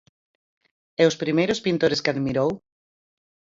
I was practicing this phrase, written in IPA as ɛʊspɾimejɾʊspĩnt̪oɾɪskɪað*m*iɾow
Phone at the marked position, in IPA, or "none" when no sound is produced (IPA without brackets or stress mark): m